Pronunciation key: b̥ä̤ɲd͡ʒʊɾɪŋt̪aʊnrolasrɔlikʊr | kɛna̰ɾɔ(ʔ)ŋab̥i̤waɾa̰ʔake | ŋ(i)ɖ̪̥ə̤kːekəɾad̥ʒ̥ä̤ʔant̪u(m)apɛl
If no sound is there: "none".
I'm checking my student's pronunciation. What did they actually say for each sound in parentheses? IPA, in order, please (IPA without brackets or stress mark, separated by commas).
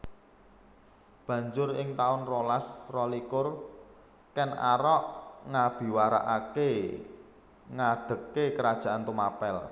ʔ, a, m